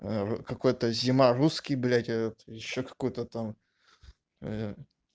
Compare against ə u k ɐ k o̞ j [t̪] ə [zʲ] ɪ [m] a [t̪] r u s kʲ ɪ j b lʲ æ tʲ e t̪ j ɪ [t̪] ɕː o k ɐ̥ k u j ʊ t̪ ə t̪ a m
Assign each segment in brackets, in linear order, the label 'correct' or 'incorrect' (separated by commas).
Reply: correct, correct, correct, incorrect, incorrect